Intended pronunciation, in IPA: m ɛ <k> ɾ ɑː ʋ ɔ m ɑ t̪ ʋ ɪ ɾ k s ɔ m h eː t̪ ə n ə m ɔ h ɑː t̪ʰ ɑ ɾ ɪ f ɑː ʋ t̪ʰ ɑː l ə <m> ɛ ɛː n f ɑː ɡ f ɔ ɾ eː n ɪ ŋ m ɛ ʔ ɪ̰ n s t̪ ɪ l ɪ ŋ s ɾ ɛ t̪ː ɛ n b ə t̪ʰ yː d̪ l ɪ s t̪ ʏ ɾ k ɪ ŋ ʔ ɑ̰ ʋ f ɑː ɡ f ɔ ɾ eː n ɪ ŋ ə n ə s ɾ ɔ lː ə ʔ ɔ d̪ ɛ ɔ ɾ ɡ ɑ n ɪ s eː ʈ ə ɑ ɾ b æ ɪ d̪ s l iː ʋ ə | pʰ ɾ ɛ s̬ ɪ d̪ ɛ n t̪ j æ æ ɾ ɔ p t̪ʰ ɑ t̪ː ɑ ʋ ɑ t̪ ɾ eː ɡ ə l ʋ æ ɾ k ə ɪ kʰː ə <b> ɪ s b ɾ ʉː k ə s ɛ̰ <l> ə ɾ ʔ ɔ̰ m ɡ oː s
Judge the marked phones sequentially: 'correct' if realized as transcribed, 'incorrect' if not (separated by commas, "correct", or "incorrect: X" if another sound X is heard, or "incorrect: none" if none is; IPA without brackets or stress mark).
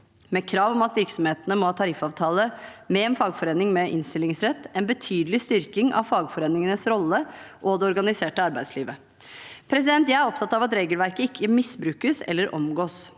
incorrect: kʰ, correct, incorrect: m, incorrect: lː